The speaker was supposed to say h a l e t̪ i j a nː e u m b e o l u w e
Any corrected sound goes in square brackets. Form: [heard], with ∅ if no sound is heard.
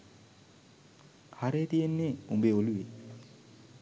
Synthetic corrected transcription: h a [ɾ] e t̪ i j [e] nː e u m b e o l u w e